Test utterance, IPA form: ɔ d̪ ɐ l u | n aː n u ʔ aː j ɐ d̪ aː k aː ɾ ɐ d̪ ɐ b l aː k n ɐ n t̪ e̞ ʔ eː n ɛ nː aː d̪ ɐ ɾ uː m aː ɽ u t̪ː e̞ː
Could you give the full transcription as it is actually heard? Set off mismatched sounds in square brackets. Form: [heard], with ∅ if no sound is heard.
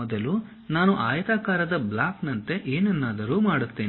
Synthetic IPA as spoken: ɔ d̪ ɐ l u | n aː n u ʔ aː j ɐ [t̪] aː k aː ɾ ɐ d̪ ɐ b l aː k n ɐ n t̪ e̞ ʔ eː n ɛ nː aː d̪ ɐ ɾ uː m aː ɽ u t̪ː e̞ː